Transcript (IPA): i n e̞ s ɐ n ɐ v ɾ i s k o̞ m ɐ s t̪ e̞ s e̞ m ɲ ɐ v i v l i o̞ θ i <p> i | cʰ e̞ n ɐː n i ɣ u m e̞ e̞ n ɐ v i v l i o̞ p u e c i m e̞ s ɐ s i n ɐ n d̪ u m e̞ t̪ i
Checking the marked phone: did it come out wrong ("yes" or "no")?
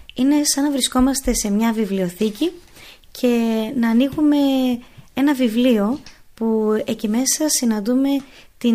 yes